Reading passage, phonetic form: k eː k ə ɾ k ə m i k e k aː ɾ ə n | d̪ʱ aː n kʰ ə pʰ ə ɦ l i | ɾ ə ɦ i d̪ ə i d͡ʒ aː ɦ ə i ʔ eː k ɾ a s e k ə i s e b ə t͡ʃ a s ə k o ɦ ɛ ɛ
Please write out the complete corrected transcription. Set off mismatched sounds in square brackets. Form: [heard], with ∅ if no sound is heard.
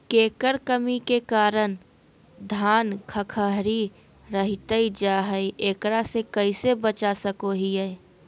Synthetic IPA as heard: k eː k ə ɾ k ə m i k e k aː ɾ ə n | d̪ʱ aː n kʰ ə [kʰ] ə ɦ [ɾ] i | ɾ ə ɦ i [t̪] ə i d͡ʒ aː ɦ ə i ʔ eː k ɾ a s e k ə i s e b ə t͡ʃ a s ə k o ɦ [i] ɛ